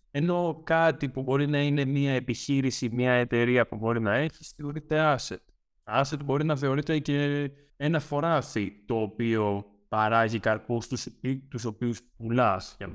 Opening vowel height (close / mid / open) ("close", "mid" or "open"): mid